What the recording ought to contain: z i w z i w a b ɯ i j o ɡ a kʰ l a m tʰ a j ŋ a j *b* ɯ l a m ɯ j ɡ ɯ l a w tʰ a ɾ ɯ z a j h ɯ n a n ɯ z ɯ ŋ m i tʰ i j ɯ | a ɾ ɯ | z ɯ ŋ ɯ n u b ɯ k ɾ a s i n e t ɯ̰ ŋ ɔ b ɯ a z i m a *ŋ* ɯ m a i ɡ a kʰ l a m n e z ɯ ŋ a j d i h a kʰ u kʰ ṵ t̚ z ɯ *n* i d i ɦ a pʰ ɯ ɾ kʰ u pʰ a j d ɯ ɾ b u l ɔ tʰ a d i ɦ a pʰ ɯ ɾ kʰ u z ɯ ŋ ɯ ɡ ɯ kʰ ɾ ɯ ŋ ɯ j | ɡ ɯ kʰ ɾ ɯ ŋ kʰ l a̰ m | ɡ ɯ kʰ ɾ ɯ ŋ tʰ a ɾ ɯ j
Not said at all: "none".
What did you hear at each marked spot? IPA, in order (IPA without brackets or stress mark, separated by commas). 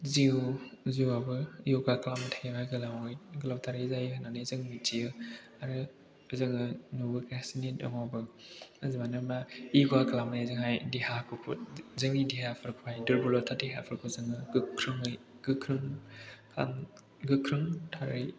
ɡ, n, ŋ